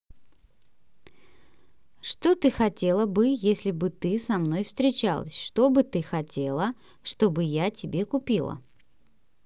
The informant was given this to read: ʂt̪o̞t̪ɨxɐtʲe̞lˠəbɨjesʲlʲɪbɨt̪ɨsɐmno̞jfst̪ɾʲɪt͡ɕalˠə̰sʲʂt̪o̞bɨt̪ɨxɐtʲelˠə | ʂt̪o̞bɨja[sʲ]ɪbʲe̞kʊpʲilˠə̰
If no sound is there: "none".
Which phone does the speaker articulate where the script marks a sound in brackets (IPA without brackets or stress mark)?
tʲ